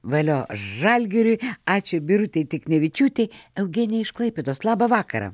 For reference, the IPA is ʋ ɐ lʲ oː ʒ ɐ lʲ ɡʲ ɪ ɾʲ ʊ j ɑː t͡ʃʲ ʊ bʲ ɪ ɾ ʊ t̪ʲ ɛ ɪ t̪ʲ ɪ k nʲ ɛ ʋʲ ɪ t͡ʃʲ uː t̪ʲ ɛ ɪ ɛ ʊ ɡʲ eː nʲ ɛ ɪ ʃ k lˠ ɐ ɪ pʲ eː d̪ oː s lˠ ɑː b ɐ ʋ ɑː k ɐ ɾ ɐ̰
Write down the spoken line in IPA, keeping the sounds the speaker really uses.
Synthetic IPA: ʋ ɐ lʲ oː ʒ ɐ lʲ ɡʲ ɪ ɾʲ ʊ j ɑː t͡ʃʲ ʊ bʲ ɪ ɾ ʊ t̪ʲ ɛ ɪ t̪ʲ ɪ k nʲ ɛ ʋʲ ɪ t͡ʃʲ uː t̪ʲ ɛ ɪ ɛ ʊ ɡʲ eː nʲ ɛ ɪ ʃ k lˠ ɐ ɪ pʲ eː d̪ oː s lˠ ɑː b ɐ ʋ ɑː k ɐ ɾ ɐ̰